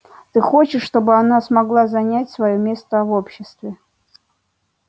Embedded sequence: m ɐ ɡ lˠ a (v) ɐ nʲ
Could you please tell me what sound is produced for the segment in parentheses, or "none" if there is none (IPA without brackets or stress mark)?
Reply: z